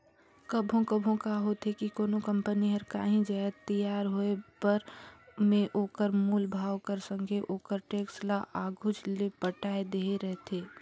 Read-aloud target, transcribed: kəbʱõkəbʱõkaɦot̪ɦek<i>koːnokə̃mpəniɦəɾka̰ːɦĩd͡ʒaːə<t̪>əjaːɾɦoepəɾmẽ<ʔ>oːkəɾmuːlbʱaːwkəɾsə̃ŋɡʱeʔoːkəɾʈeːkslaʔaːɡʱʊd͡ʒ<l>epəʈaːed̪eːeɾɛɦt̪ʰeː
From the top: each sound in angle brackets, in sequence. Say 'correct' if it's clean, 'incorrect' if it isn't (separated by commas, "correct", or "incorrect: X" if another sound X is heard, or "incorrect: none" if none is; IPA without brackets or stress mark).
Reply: correct, correct, correct, correct